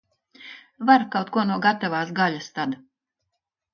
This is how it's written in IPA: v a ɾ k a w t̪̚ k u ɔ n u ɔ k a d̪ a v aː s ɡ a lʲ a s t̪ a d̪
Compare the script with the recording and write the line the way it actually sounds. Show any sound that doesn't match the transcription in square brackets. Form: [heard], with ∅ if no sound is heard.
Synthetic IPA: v a ɾ k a w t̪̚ k u ɔ n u ɔ [ɡ] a [t̪] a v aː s ɡ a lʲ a s t̪ a d̪